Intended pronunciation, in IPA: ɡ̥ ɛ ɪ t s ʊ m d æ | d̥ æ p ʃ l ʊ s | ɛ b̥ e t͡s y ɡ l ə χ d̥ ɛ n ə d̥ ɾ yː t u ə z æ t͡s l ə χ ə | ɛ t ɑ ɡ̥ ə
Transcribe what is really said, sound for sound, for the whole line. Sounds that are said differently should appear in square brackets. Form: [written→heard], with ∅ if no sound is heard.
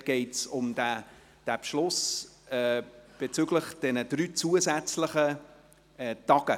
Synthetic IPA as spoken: ɡ̥ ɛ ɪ t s ʊ m d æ | d̥ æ p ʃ l ʊ s | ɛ b̥ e t͡s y ɡ l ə χ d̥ ɛ n ə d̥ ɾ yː [t→t͡s] u ə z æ t͡s l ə χ ə | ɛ t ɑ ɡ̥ ə

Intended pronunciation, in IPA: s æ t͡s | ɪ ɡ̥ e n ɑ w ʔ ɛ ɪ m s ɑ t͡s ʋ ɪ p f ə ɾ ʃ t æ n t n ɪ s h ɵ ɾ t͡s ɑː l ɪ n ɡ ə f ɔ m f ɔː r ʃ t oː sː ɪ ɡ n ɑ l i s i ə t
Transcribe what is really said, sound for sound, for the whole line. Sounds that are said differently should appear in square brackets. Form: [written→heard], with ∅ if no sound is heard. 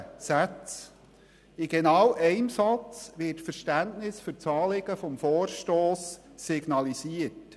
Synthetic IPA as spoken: s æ t͡s | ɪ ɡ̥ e n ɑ w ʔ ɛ ɪ m s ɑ t͡s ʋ ɪ [p→t] f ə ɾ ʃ t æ n t n ɪ s [h→f] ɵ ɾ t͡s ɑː l ɪ [n→∅] ɡ ə f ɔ m f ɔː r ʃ t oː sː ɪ ɡ n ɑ l i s i ə t

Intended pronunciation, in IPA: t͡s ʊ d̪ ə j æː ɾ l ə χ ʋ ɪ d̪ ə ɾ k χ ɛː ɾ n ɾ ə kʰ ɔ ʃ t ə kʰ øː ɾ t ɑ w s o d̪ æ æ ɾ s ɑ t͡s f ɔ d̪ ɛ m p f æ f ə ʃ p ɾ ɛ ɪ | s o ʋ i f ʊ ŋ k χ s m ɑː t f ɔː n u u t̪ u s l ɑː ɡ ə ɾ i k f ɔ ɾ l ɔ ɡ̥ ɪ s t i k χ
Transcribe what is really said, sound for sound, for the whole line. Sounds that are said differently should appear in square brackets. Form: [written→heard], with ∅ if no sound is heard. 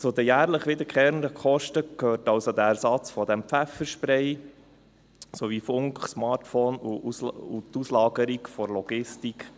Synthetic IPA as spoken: t͡s ʊ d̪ ə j æː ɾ l ə χ ʋ ɪ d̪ ə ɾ k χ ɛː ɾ n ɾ ə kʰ ɔ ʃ t ə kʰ øː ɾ t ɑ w s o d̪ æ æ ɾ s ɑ t͡s f ɔ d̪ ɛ m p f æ f ə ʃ p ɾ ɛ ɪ | s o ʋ i f ʊ ŋ k χ s m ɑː t f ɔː n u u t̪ u s l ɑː ɡ ə ɾ i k f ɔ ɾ l ɔ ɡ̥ ɪ s t i k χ

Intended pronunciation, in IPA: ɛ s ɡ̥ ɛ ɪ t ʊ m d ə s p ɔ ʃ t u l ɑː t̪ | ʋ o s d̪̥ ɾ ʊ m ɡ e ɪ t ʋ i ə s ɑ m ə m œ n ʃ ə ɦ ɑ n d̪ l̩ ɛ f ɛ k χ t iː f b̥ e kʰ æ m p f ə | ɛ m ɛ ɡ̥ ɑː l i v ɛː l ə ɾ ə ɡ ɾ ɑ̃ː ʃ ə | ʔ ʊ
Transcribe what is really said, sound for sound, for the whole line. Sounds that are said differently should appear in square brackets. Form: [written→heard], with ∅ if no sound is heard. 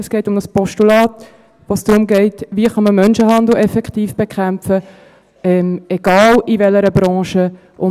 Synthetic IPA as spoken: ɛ s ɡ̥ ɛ ɪ t ʊ m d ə s p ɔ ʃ t u l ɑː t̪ | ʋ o s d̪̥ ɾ ʊ m ɡ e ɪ t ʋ i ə [s→χ] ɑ m ə m œ n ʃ ə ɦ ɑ n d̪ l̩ ɛ f ɛ k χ t iː f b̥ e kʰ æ m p f ə | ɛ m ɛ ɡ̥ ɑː l i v [ɛː→ɛ] l ə ɾ ə [ɡ→b] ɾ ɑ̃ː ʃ ə | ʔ ʊ

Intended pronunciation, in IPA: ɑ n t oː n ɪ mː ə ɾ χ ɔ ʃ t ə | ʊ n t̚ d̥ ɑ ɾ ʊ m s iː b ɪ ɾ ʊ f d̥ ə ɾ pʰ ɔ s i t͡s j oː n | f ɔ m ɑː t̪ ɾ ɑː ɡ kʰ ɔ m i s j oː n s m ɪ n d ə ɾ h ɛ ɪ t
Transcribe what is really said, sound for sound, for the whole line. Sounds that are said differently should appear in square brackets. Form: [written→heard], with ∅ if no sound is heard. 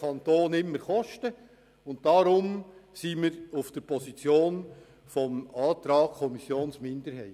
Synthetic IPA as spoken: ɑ n t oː n ɪ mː ə ɾ χ ɔ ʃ t ə | ʊ n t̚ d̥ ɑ ɾ ʊ m s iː [b→m] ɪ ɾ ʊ f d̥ ə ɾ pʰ ɔ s i t͡s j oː n | f ɔ m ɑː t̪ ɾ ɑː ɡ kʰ ɔ m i s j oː n s m ɪ n d ə ɾ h ɛ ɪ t

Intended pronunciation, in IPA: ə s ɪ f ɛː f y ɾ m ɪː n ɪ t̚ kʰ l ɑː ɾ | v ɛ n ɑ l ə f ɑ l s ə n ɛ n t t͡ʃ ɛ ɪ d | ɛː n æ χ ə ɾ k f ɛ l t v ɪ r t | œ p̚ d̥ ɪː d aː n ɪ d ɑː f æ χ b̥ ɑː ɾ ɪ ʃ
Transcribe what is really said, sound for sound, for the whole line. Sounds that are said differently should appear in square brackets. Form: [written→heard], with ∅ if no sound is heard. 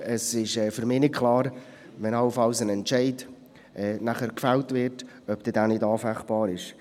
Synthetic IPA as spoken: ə s ɪ [f→ʃ] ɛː f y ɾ m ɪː n ɪ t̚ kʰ l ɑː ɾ | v ɛ n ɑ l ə f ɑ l s ə n ɛ n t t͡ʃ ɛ ɪ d | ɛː n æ χ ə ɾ k f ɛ l t v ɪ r t | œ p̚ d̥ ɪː d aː n ɪ d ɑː f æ χ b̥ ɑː ɾ ɪ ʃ

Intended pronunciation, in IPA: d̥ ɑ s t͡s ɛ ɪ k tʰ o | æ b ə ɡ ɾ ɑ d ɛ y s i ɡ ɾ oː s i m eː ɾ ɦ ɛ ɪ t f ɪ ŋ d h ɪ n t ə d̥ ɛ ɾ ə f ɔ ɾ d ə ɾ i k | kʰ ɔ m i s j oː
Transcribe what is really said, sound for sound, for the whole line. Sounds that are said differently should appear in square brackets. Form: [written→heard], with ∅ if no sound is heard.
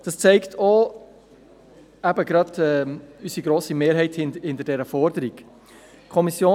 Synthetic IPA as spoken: d̥ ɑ s t͡s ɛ ɪ k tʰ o | æ b ə ɡ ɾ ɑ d ɛ y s i ɡ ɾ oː s i m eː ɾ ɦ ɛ ɪ t [f→h] ɪ [ŋ→n] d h ɪ n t ə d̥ ɛ ɾ ə f ɔ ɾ d ə ɾ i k | kʰ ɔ m i s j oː

